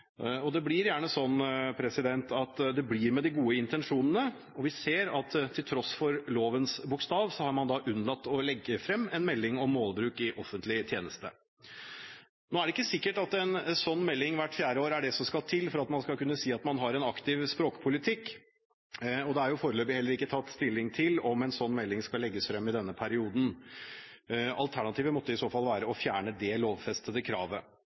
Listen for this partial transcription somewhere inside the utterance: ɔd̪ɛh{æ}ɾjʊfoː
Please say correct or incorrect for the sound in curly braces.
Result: correct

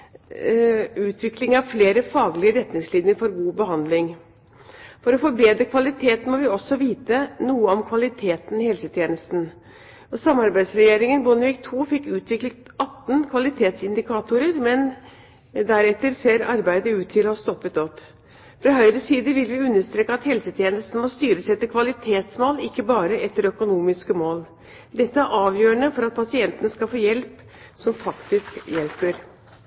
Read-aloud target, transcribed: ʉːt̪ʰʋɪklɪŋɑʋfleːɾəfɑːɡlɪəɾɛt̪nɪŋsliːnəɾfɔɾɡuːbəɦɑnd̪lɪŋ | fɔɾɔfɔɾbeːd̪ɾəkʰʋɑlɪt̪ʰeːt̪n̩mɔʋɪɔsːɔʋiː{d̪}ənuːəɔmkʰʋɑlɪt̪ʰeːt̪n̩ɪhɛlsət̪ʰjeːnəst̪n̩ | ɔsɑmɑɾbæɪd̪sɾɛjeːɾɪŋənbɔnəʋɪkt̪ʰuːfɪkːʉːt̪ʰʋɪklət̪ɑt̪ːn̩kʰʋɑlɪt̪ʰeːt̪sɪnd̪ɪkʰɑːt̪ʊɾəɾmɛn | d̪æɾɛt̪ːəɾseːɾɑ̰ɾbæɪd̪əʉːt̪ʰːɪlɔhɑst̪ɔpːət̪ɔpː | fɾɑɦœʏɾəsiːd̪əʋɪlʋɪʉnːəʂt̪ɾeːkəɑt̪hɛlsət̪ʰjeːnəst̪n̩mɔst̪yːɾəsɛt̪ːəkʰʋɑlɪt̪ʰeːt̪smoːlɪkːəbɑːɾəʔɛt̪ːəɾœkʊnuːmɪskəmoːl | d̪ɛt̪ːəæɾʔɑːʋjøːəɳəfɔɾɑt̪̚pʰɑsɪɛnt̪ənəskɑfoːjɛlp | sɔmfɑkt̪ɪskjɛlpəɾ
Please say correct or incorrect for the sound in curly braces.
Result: incorrect: t̪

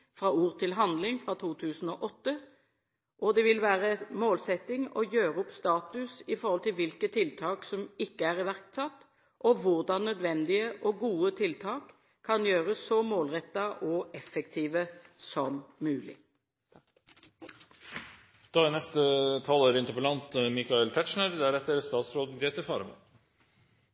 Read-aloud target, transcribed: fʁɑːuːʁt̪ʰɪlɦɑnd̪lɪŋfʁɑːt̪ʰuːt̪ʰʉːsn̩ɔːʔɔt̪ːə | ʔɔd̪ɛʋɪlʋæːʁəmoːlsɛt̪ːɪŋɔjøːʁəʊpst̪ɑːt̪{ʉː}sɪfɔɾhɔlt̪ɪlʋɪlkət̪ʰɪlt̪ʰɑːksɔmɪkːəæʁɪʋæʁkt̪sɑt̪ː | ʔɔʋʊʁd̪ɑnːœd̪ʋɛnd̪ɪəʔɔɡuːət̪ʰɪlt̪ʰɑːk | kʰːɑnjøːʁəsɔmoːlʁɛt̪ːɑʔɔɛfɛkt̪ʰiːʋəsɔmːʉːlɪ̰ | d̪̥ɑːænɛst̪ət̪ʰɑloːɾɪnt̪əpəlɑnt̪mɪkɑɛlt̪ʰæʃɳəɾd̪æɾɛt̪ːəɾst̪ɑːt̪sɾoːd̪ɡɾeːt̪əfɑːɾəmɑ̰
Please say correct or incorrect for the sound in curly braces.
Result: incorrect: ʉ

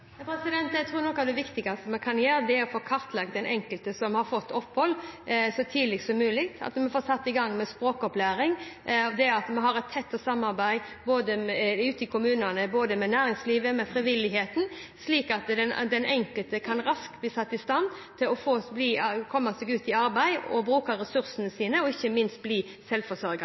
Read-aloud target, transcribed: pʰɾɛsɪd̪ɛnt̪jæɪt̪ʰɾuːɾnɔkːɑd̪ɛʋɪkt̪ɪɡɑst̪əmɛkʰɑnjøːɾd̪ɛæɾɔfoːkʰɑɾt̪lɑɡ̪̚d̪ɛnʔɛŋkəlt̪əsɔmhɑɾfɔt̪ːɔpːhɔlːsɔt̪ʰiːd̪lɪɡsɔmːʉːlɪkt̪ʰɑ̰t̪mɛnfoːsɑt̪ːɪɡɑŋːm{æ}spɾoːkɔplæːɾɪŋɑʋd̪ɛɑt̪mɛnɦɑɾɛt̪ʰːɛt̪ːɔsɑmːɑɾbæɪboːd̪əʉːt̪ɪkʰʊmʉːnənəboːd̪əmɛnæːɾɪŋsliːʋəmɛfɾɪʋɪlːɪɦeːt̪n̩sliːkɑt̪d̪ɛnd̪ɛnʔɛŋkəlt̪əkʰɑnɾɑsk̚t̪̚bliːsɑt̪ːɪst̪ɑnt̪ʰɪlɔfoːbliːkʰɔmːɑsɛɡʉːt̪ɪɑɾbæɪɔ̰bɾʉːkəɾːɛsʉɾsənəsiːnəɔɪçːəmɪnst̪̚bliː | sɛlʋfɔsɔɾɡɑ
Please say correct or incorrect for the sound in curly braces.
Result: incorrect: ɛ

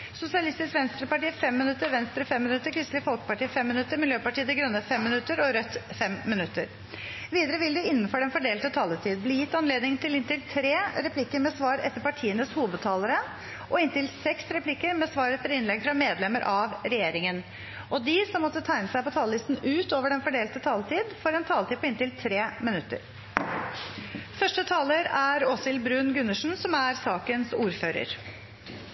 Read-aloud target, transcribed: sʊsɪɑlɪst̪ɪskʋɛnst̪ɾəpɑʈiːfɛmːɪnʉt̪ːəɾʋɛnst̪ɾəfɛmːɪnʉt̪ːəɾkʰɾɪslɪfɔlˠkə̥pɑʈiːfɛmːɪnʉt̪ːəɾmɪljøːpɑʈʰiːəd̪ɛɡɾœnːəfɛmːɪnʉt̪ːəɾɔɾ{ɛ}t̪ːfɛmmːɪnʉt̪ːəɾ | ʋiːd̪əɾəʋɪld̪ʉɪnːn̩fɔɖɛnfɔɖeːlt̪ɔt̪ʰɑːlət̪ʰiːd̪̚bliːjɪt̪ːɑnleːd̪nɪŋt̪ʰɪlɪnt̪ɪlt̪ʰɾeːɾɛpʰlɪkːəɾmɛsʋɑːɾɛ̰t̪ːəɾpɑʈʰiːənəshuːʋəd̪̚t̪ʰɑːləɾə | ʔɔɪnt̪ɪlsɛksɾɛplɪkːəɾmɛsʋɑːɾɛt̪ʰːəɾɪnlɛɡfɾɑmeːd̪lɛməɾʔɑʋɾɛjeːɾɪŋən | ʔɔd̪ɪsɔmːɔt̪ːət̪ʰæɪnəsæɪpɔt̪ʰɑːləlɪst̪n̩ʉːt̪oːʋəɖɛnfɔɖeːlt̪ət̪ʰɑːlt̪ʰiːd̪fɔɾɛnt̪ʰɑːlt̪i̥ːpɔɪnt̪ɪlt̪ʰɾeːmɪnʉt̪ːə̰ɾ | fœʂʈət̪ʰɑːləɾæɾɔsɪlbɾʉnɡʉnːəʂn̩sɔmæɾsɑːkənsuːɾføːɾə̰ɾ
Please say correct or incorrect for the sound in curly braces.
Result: incorrect: œ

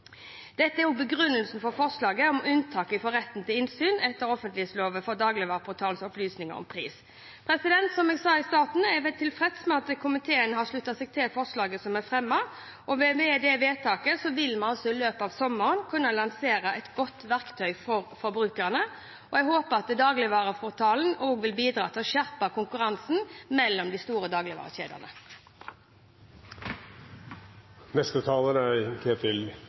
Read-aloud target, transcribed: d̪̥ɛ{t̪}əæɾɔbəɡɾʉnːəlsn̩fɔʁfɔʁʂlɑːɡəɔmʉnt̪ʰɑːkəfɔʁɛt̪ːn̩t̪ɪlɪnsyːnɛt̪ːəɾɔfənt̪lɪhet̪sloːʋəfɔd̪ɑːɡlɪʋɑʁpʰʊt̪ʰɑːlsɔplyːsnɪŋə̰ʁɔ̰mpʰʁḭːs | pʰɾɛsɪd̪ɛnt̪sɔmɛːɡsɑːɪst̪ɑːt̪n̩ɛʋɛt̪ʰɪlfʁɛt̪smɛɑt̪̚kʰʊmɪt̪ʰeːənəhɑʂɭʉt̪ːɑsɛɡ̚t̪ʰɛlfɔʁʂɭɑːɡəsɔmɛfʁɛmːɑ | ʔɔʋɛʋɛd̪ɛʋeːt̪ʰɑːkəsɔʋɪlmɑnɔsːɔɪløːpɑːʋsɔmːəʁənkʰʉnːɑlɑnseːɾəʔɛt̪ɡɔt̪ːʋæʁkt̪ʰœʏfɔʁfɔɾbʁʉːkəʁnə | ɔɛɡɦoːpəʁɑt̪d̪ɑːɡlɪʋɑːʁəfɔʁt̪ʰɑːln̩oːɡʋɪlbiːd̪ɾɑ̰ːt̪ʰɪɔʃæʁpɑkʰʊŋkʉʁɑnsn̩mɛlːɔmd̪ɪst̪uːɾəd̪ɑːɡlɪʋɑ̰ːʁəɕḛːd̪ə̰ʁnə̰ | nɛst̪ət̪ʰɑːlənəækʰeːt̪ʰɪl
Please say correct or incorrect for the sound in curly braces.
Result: correct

